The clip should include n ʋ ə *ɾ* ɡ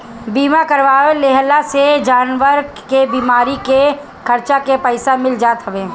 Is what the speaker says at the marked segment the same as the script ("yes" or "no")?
yes